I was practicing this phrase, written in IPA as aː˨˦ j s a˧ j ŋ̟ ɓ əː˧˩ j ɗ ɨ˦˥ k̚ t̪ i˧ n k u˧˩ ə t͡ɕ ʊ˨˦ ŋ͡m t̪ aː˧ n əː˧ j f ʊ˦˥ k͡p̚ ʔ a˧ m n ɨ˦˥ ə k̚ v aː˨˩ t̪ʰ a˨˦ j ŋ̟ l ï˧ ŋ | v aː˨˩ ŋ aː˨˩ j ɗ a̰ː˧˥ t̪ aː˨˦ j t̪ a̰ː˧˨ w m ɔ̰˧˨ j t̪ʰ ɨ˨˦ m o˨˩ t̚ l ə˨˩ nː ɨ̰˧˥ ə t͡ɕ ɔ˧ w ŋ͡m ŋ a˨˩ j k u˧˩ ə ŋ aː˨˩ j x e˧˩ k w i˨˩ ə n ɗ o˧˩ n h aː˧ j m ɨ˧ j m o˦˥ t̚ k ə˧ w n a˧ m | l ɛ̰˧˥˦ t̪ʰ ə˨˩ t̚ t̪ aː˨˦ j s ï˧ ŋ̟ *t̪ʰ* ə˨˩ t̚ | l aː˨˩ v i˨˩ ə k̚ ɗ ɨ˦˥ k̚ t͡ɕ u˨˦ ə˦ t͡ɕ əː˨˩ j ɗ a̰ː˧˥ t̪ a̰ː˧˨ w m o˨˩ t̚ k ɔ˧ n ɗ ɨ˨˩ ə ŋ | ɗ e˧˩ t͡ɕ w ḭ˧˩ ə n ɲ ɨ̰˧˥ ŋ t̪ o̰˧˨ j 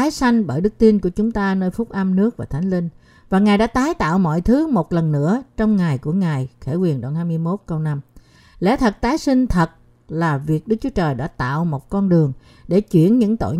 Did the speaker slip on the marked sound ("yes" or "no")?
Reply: no